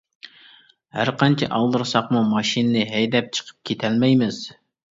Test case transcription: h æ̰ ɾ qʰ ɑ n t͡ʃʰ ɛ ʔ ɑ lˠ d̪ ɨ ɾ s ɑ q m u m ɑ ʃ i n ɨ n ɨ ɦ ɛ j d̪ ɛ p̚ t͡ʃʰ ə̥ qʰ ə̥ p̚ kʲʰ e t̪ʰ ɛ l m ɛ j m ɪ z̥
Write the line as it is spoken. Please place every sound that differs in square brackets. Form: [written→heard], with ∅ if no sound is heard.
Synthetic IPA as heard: h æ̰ ɾ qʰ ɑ n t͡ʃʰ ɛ ʔ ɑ lˠ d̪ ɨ ɾ s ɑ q m u m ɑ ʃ i n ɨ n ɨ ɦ ɛ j d̪ ɛ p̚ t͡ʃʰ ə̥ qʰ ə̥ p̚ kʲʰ e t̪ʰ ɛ l m ɛ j m ɪ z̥